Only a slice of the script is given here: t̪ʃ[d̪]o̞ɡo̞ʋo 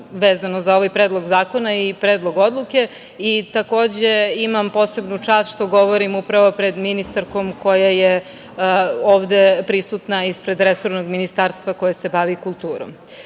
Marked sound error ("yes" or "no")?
yes